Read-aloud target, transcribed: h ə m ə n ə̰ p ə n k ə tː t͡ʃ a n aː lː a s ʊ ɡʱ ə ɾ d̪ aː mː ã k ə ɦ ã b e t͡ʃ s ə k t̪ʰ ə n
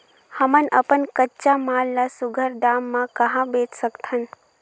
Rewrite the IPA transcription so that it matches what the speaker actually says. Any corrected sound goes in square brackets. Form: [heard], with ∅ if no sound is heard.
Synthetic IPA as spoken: h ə m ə n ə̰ p ə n k ə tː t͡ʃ a [m] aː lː a s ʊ ɡʱ ə ɾ d̪ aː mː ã k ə ɦ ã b e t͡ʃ s ə k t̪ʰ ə n